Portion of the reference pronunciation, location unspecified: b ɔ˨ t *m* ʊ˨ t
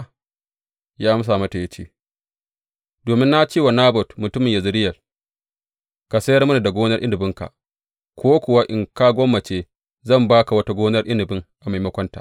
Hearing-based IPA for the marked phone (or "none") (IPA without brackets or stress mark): m